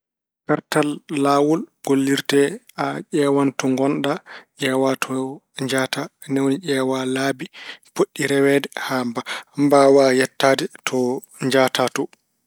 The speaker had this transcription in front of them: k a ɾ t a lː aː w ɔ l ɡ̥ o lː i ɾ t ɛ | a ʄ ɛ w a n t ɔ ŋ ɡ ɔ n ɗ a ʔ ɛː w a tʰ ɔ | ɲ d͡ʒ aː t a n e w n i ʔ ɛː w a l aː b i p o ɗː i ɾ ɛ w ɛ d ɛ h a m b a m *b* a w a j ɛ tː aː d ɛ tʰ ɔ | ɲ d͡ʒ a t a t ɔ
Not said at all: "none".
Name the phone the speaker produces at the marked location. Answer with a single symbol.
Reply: b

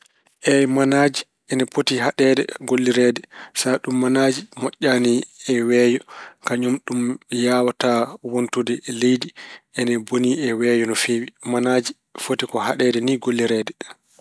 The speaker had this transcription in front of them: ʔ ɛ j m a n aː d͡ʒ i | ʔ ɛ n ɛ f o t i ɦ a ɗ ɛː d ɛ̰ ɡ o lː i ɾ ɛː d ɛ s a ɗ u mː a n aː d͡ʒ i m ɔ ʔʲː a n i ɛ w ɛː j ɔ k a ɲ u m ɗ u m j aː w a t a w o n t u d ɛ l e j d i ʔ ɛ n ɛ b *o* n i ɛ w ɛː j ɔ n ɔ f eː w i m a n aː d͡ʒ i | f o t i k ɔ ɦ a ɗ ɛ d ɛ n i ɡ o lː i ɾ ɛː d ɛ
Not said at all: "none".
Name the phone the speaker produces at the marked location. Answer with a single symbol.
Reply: o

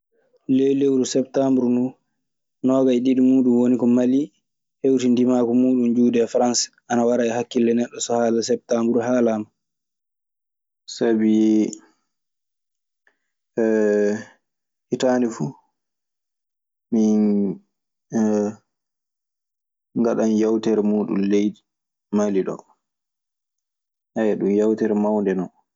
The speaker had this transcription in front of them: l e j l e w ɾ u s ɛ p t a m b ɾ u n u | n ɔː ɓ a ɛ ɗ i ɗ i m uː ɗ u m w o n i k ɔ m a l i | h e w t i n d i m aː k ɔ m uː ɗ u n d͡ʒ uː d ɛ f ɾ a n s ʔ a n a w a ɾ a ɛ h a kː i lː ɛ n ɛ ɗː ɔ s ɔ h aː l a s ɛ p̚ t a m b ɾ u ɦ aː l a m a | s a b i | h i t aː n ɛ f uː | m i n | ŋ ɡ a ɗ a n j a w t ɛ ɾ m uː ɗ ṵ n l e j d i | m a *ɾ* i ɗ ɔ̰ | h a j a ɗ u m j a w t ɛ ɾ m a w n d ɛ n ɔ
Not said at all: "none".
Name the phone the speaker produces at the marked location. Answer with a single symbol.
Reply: l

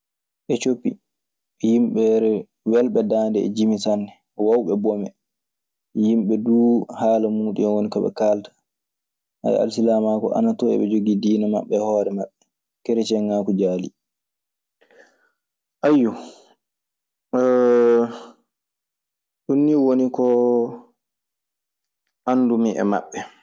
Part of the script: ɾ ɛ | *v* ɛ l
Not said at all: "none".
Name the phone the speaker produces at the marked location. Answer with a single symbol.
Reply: w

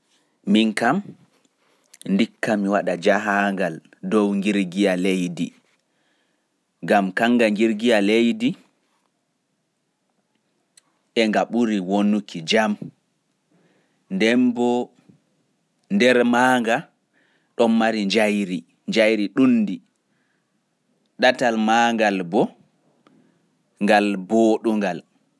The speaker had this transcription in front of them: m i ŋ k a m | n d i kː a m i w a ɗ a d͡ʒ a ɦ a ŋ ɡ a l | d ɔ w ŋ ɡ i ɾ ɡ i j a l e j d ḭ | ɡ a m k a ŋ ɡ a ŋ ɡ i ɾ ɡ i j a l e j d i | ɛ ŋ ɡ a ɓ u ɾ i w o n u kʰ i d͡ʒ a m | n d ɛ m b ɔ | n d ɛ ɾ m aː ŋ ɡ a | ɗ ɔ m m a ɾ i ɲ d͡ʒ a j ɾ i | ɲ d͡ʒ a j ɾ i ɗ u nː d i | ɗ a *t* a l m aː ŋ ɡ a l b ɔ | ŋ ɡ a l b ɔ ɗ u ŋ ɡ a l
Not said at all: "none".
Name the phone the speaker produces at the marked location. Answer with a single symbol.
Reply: t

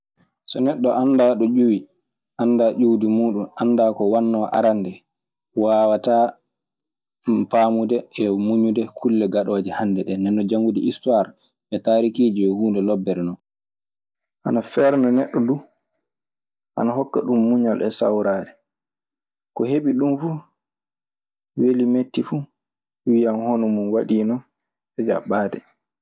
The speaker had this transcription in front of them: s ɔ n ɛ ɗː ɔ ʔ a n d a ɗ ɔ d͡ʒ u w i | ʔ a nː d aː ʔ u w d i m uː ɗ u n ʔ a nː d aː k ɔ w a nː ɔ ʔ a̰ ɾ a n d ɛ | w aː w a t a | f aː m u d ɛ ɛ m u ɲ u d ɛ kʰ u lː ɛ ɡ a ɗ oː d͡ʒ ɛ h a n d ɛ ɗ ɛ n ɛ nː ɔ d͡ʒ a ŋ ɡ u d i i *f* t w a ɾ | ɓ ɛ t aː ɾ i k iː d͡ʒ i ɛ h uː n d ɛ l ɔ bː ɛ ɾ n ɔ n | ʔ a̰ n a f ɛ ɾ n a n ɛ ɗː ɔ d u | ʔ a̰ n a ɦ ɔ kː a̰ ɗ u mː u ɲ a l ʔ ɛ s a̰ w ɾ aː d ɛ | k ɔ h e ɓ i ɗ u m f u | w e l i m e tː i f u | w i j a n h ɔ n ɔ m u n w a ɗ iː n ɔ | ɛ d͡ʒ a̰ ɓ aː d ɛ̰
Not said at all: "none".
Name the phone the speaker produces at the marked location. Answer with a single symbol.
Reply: s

